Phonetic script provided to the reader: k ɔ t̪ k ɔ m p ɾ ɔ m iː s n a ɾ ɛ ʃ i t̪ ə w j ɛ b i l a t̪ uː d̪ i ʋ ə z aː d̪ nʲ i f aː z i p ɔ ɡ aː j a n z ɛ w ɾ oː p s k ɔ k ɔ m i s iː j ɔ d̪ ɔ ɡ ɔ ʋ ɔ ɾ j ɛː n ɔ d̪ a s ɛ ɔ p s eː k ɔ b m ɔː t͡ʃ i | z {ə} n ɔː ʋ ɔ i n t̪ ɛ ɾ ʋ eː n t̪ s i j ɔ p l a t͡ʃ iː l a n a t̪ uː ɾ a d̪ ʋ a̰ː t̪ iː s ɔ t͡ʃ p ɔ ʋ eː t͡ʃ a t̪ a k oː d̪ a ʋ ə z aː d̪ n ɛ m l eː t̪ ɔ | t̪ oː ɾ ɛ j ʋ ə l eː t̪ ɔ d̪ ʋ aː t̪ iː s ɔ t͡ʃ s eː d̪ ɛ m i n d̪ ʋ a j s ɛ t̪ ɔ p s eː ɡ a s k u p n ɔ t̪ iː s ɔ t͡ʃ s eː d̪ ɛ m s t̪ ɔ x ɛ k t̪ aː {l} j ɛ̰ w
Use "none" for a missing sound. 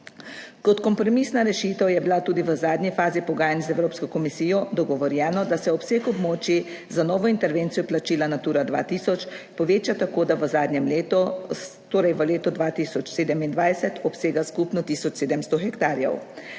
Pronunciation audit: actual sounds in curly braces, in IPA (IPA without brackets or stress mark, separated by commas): a, ɾ